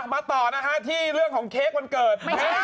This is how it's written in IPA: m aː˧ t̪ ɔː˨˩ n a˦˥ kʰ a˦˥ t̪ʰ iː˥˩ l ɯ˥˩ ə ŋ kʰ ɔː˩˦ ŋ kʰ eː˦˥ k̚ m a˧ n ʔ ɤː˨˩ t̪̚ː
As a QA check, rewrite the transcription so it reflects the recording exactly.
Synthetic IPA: m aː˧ t̪ ɔː˨˩ n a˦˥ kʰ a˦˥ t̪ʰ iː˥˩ ɾ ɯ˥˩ ə ŋ kʰ ɔː˩˦ ŋ kʰ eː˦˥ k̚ m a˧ n k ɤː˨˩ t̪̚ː